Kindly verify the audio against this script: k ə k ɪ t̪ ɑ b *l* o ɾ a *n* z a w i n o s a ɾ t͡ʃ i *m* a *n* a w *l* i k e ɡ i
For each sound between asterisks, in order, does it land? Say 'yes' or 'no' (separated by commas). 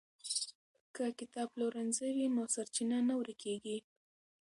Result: yes, yes, no, yes, no